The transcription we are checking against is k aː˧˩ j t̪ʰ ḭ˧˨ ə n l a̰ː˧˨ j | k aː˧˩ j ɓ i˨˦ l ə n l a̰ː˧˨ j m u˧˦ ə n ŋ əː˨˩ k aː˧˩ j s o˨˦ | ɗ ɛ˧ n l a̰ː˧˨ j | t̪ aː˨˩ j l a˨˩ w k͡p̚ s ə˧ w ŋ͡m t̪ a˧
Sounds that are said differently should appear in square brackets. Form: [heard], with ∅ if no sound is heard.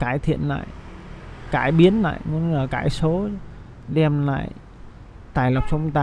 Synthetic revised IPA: k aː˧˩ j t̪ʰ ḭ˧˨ ə n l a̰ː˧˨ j | k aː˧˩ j ɓ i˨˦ [∅] ə n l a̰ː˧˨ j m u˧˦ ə n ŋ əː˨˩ k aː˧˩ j s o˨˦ | ɗ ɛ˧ [m] l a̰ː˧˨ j | t̪ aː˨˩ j l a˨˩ w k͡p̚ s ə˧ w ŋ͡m t̪ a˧